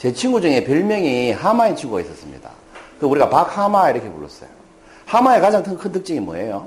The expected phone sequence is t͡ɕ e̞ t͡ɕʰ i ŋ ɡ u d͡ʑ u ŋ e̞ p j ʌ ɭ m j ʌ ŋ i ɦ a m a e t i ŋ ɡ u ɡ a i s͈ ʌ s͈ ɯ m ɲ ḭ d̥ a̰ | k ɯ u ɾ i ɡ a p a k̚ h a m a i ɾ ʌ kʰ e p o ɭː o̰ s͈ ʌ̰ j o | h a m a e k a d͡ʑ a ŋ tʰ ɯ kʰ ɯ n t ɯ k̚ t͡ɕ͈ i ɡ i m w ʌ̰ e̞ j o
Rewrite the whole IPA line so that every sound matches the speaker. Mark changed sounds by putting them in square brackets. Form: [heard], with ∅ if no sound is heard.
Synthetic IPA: t͡ɕ e̞ t͡ɕʰ i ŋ ɡ u d͡ʑ u ŋ e̞ p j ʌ ɭ m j ʌ ŋ i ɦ a m a e [t͡ɕʰ] i ŋ ɡ u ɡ a i s͈ ʌ s͈ ɯ m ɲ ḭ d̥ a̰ | k ɯ u ɾ i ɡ a p a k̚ h a m a i ɾ ʌ kʰ e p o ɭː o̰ s͈ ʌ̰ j o | h a m a e k a d͡ʑ a ŋ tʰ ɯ kʰ ɯ n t ɯ k̚ t͡ɕ͈ i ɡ i m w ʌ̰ e̞ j o